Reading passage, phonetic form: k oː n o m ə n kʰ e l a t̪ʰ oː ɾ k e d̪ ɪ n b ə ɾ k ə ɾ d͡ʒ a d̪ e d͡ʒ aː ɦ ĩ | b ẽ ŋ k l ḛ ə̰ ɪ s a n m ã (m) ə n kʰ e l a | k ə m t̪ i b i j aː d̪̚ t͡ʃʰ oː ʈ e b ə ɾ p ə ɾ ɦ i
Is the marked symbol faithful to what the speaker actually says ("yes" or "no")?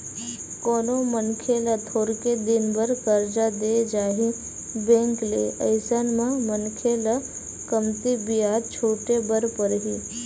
yes